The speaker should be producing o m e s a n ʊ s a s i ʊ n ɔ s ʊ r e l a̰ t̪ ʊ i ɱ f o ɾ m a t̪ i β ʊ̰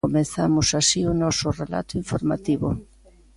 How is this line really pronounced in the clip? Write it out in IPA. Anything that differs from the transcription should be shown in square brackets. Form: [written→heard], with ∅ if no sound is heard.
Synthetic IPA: o m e [s→θ] a [n→m] ʊ s a s i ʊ n ɔ s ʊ r e l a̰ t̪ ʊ i ɱ f o ɾ m a t̪ i β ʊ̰